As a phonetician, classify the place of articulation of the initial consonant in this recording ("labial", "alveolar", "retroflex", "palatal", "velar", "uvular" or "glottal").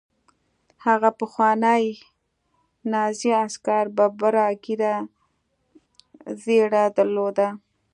glottal